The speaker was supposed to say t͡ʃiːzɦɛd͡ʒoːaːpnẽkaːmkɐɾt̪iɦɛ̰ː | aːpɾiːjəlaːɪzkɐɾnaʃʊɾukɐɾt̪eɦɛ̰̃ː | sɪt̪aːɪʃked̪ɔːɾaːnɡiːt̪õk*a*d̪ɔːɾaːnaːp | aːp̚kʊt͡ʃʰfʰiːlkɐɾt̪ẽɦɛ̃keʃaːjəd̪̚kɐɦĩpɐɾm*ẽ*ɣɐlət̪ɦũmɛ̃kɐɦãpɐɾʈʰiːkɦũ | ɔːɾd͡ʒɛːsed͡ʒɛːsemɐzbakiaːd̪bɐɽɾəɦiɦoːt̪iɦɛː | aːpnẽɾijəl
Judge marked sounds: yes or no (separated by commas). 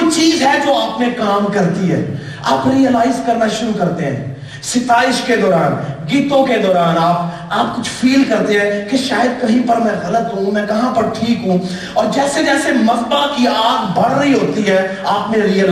no, no